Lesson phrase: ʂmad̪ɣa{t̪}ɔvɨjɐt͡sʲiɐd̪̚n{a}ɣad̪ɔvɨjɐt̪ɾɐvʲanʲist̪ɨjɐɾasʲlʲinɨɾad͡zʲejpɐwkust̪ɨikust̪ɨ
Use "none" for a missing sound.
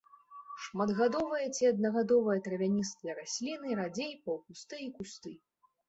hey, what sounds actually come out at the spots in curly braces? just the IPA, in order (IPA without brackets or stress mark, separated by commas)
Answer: d̪, ɐ